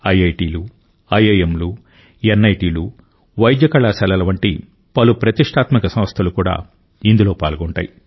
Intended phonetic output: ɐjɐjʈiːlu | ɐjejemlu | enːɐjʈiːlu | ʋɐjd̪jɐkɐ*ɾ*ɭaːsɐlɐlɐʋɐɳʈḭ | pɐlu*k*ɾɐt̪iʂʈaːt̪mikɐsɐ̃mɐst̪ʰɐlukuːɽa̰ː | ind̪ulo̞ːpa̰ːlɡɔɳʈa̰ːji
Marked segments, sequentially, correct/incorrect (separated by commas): incorrect, incorrect